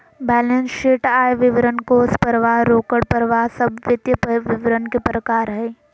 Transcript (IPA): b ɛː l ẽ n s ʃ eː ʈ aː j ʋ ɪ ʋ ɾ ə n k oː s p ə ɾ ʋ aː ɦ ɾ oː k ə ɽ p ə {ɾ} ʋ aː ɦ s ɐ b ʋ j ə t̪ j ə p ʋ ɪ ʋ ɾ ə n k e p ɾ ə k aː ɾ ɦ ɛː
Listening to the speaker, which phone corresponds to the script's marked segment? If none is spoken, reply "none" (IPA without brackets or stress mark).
ɾ